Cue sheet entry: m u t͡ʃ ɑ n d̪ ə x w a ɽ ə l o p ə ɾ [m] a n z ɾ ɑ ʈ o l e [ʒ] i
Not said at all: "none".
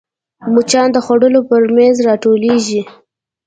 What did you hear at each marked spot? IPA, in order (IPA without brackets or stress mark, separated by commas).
m, ʒ